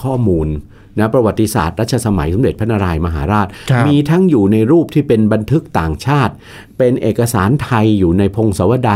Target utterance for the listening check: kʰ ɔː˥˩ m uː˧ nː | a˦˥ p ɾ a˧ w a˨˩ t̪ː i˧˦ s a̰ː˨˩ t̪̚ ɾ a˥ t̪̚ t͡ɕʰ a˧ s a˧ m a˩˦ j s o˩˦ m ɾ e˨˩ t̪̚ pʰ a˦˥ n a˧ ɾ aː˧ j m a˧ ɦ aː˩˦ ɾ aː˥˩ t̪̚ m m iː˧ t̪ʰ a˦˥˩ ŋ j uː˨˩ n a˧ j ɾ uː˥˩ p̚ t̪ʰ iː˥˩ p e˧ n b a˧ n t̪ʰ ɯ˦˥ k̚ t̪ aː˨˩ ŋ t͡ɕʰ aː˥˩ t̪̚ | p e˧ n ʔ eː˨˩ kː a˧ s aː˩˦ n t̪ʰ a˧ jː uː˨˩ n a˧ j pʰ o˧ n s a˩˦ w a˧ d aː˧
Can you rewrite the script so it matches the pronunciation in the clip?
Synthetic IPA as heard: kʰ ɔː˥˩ m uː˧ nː | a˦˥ p ɾ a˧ w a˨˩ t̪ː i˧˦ s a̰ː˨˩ t̪̚ ɾ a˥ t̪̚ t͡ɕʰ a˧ s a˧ m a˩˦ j s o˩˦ m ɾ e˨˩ t̪̚ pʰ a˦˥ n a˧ ɾ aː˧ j m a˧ ɦ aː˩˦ ɾ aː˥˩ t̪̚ m m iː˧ t̪ʰ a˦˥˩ ŋ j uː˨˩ n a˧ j ɾ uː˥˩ p̚ t̪ʰ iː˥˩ p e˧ n b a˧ n t̪ʰ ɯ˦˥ k̚ t̪ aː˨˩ ŋ t͡ɕʰ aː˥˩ t̪̚ | p e˧ n ʔ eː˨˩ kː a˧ s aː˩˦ n t̪ʰ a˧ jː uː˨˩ n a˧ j pʰ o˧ ŋ s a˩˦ w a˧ d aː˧